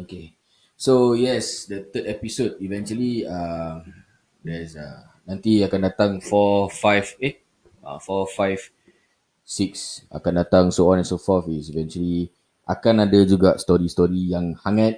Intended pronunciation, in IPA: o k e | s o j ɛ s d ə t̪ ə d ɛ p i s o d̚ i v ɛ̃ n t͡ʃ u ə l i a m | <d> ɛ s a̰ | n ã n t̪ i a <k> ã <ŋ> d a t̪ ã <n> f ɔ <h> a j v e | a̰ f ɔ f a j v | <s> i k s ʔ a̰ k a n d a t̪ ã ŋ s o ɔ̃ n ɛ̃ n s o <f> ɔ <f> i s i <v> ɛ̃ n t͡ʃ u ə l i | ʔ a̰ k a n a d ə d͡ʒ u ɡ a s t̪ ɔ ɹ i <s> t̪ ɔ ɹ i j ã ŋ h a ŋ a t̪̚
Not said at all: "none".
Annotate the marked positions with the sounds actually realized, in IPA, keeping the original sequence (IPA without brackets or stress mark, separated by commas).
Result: d, k, n, ŋ, f, s, f, f, v, s